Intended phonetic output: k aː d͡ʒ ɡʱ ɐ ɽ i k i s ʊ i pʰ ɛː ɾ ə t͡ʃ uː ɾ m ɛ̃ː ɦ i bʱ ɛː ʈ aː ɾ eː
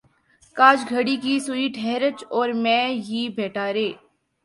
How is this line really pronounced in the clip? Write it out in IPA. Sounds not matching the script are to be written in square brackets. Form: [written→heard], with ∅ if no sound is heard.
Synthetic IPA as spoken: k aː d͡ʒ ɡʱ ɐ ɽ i k i s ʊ i [pʰ→ʈʰ] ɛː ɾ ə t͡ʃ [uː→ɔː] ɾ m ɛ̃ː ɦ i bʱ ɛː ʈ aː ɾ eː